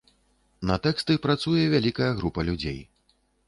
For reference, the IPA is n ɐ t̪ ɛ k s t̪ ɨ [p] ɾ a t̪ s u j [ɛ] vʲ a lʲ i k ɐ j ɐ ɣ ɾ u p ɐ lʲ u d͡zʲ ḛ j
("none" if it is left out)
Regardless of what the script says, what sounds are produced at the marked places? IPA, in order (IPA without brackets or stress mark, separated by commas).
p, ɛ